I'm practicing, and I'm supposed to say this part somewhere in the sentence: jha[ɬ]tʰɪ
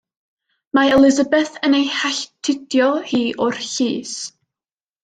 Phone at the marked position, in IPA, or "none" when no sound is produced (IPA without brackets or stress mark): ɬ